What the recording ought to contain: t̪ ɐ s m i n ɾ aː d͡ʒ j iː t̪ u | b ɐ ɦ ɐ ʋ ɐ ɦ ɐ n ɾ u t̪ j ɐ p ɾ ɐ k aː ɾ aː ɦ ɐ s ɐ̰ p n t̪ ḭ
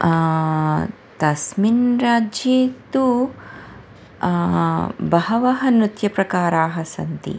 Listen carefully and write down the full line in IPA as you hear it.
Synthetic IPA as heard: t̪ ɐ s m i n ɾ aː d͡ʒ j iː t̪ u | b ɐ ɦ ɐ ʋ ɐ ɦ ɐ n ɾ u t̪ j ɐ p ɾ ɐ k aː ɾ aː ɦ ɐ s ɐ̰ n t̪ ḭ

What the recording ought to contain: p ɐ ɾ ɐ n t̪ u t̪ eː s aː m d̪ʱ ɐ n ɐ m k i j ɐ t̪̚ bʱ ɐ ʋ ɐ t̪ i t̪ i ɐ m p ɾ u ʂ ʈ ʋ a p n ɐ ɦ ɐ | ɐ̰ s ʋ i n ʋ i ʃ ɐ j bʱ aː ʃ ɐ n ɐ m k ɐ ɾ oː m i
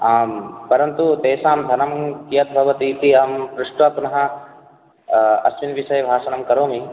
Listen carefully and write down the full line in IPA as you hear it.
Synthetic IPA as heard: p ɐ ɾ ɐ n t̪ u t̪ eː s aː m d̪ʱ ɐ n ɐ m k i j ɐ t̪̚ bʱ ɐ ʋ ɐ t̪ i t̪ i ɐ m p ɾ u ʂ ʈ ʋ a p n ɐ ɦ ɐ | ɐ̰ s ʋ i n ʋ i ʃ ɐ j bʱ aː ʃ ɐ n ɐ m k ɐ ɾ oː m i

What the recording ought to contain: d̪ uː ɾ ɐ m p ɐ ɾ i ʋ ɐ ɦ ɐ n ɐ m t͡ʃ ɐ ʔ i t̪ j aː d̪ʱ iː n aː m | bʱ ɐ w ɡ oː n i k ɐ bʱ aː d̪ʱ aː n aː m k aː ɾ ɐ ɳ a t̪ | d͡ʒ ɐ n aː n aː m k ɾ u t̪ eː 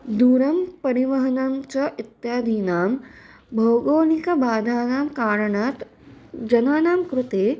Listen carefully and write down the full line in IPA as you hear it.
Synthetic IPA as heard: d̪ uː ɾ ɐ m p ɐ ɾ i ʋ ɐ ɦ ɐ n ɐ m t͡ʃ ɐ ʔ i t̪ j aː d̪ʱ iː n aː m | bʱ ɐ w ɡ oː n i k ɐ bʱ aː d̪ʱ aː n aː m k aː ɾ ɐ ɳ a t̪ | d͡ʒ ɐ n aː n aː m k ɾ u t̪ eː

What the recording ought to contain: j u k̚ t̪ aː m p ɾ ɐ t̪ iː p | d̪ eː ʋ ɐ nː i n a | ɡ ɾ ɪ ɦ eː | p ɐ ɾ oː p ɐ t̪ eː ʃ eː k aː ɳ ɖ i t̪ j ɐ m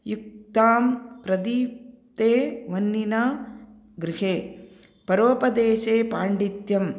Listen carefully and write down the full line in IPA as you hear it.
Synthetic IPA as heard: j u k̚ t̪ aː m p ɾ ɐ d̪ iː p | t̪ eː ʋ ɐ nː i n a | ɡ ɾ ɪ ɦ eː | p ɐ ɾ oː p ɐ d̪ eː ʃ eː p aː ɳ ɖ i t̪ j ɐ m

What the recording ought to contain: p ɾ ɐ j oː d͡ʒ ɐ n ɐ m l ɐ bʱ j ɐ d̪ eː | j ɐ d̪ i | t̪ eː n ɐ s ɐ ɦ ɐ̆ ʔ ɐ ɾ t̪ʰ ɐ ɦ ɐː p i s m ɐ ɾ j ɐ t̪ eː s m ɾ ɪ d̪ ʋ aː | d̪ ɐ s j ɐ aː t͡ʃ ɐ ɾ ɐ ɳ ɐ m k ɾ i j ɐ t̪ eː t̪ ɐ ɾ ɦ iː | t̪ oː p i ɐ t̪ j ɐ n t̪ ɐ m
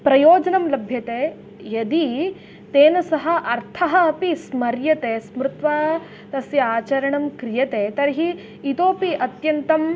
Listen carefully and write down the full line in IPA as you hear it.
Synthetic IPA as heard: p ɾ ɐ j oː d͡ʒ ɐ n ɐ m l ɐ bʱ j ɐ t̪ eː | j ɐ d̪ i | t̪ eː n ɐ s ɐ ɦ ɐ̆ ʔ ɐ ɾ t̪ʰ ɐ ɦ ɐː p i s m ɐ ɾ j ɐ t̪ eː s m ɾ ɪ t̪ ʋ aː | t̪ ɐ s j ɐ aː t͡ʃ ɐ ɾ ɐ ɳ ɐ m k ɾ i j ɐ t̪ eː t̪ ɐ ɾ ɦ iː | t̪ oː p i ɐ t̪ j ɐ n t̪ ɐ m

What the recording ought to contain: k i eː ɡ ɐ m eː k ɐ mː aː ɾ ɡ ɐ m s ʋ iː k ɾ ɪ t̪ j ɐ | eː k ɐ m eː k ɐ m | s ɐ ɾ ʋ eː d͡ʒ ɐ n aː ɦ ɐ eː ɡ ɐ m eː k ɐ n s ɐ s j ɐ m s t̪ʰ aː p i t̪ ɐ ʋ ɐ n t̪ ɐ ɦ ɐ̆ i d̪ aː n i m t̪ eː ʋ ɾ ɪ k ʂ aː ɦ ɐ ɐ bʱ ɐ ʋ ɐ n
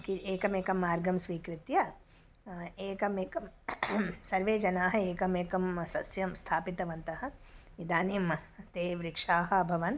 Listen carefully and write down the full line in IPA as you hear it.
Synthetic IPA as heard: k i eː k ɐ m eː k ɐ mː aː ɾ ɡ ɐ m s ʋ iː k ɾ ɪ t̪ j ɐ | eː k ɐ m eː k ɐ m | s ɐ ɾ ʋ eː d͡ʒ ɐ n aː ɦ ɐ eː k ɐ m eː k ɐ m s ɐ s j ɐ m s t̪ʰ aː p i t̪ ɐ ʋ ɐ n t̪ ɐ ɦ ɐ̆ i d̪ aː n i m t̪ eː ʋ ɾ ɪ k ʂ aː ɦ ɐ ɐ bʱ ɐ ʋ ɐ n

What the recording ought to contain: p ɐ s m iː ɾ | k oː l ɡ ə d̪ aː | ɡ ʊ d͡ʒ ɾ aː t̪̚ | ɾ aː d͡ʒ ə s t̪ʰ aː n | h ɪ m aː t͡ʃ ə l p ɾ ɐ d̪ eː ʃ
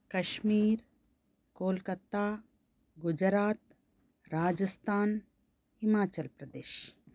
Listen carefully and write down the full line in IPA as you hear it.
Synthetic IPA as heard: k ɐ ʃ m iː ɾ | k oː l k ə t̪ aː | ɡ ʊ d͡ʒ ɾ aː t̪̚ | ɾ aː d͡ʒ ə s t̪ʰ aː n | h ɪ m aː t͡ʃ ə l p ɾ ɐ d̪ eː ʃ

